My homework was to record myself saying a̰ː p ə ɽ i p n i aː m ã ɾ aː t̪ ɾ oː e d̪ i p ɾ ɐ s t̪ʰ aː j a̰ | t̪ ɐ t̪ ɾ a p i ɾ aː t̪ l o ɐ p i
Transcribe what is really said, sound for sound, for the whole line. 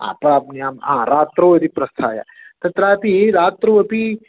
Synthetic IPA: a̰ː p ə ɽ a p n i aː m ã ɾ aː t̪ ɾ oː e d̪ i p ɾ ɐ s t̪ʰ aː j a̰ | t̪ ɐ t̪ ɾ a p i ɾ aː t̪ ɾ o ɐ p i